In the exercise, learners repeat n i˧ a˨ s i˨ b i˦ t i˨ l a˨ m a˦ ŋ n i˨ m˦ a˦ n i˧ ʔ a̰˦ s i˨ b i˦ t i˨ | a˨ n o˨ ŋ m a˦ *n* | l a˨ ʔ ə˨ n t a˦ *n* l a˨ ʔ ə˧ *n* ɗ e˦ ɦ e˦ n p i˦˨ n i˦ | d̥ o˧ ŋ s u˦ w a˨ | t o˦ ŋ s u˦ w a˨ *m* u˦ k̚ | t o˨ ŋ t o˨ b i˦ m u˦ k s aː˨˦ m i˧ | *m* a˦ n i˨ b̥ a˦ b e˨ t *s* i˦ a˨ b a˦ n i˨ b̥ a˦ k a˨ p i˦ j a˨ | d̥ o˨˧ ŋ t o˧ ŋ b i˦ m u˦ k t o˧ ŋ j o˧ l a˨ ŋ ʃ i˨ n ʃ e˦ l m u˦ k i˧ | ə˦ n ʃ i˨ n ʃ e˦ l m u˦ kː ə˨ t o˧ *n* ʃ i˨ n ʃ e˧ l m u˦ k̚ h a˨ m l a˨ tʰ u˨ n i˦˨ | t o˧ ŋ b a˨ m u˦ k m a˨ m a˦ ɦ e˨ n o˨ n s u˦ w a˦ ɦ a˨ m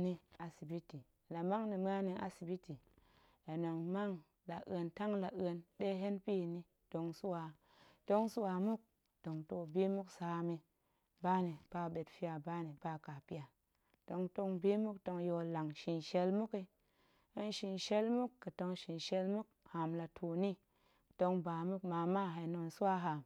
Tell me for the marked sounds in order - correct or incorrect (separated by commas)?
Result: incorrect, incorrect, correct, correct, incorrect, incorrect, incorrect